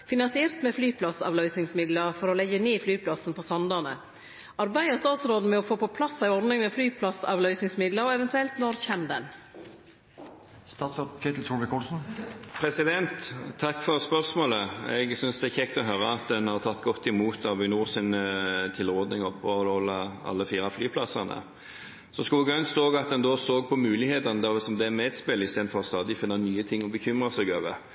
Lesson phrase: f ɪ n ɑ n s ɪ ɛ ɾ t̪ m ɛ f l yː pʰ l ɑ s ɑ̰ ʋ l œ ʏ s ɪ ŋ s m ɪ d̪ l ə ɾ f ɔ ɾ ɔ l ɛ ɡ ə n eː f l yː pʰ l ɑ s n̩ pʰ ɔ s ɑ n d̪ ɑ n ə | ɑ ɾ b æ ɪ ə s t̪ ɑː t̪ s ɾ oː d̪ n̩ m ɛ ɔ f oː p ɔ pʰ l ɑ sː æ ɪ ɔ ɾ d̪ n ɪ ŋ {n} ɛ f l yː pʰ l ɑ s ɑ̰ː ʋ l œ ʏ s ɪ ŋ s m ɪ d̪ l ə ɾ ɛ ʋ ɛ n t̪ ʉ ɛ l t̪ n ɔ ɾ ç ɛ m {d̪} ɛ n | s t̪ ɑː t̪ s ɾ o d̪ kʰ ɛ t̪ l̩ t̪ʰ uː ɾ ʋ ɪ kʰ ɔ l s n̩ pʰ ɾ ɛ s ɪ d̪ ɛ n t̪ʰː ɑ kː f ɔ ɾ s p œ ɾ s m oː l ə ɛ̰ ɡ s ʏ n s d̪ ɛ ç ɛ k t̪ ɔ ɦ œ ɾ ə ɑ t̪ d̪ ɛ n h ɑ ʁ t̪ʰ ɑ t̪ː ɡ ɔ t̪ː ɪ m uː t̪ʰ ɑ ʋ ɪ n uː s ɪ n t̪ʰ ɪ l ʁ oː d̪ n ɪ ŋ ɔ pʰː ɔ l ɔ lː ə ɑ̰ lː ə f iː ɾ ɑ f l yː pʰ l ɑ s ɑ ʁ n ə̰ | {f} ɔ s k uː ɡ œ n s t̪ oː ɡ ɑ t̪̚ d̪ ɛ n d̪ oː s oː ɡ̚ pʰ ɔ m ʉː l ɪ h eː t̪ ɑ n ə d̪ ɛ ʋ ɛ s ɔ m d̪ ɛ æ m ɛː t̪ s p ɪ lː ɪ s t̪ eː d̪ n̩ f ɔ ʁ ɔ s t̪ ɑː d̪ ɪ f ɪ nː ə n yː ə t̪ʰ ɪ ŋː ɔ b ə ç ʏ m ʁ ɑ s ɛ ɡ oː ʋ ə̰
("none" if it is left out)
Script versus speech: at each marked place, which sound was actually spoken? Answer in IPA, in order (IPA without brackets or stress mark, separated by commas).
m, d̪, s